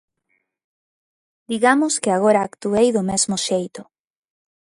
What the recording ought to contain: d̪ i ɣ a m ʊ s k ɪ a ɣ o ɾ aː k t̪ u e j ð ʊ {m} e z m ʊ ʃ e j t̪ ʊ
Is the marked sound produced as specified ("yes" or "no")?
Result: yes